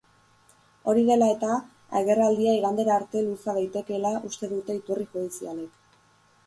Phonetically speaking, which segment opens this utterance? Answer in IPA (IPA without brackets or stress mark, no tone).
o̞